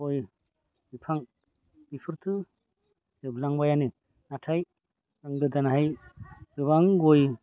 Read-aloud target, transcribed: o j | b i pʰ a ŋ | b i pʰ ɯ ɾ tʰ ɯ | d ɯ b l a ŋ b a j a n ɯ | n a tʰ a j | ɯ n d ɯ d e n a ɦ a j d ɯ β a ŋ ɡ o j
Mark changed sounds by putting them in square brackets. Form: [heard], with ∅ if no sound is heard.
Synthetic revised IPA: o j | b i pʰ a ŋ | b i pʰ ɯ ɾ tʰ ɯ | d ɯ b l a ŋ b a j a n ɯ | n a tʰ a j | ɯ [ŋ] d ɯ d [a] n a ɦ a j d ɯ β a ŋ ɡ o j